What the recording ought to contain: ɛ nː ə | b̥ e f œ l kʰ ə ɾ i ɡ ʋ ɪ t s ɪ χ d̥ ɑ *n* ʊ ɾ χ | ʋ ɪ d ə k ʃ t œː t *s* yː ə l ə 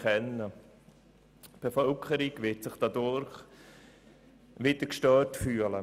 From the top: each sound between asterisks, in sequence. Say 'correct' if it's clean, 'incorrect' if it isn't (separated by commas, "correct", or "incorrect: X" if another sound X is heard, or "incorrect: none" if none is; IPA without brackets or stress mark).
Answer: incorrect: d, incorrect: f